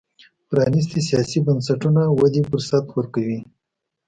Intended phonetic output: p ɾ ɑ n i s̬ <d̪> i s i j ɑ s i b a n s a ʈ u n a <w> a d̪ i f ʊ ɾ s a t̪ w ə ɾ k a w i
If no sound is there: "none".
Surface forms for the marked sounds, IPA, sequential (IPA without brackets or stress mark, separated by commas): t̪, w